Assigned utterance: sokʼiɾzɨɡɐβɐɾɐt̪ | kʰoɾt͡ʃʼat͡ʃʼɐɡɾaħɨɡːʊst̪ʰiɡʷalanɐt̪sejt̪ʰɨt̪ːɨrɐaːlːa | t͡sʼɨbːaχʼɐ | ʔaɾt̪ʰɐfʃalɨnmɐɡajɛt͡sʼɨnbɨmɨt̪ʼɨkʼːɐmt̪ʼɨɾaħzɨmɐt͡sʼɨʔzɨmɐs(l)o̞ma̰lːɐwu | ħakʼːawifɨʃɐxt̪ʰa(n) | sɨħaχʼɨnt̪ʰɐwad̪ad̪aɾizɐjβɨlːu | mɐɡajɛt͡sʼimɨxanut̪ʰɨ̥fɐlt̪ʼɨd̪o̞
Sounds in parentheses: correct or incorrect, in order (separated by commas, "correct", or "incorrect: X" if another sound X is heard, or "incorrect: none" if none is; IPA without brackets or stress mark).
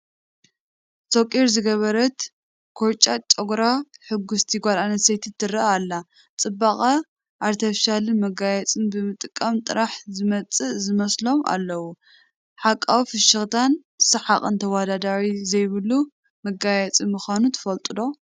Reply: correct, correct